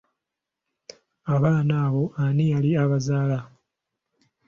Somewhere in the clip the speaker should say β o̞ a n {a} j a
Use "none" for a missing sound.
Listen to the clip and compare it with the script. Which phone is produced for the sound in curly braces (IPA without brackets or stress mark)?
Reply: i